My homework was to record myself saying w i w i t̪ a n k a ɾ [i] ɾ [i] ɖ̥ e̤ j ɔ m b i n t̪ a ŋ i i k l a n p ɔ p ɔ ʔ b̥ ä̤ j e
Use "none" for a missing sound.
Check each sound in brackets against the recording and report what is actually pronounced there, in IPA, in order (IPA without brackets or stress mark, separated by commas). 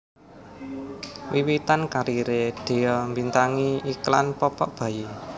i, e